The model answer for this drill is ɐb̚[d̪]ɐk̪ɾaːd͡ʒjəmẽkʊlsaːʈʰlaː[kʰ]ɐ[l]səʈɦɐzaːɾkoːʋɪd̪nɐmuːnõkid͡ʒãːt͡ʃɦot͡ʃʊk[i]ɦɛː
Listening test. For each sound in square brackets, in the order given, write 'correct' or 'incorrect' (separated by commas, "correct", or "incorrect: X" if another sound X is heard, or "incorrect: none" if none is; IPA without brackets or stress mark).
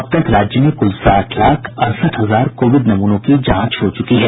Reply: incorrect: t̪, correct, incorrect: ɾ, correct